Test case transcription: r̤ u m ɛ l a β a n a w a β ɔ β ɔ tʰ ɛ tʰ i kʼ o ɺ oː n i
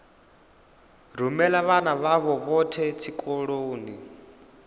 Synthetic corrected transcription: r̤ u m ɛ l a β a n a β a β ɔ β ɔ tʰ ɛ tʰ i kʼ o ɺ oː n i